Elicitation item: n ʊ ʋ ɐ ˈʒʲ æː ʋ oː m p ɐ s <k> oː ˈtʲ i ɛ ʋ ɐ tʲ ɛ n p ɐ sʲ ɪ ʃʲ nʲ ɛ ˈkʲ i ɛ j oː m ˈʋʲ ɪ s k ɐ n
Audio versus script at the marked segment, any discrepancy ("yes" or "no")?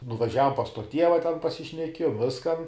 yes